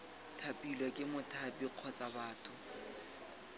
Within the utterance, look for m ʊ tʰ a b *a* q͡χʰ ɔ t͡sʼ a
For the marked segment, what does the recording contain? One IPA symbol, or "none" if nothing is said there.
i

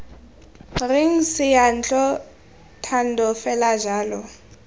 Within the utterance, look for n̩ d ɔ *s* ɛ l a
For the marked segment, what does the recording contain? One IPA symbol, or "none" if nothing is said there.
f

